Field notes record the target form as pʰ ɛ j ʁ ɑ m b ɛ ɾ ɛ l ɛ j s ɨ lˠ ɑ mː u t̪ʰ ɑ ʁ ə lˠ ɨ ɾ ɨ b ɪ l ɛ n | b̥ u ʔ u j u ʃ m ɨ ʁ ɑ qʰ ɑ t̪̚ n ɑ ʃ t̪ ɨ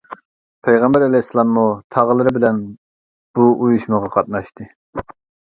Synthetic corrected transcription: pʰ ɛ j ʁ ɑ m b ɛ ɾ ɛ l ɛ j s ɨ lˠ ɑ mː u t̪ʰ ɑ ʁ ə lˠ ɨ ɾ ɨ b ɪ l ɛ n | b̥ u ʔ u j u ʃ m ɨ ʁ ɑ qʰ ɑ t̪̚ n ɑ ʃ t̪ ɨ